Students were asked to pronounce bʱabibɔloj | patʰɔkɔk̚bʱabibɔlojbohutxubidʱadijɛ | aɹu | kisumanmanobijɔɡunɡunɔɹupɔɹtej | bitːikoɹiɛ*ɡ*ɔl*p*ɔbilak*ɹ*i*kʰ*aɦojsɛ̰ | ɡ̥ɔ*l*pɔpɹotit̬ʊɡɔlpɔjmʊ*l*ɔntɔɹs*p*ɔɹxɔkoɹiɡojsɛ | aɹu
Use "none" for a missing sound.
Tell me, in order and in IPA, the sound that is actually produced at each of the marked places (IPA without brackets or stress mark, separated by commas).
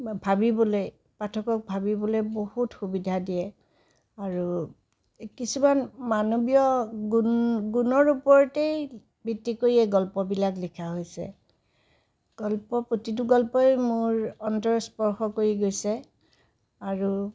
ɡ, p, l, kʰ, l, ɹ, p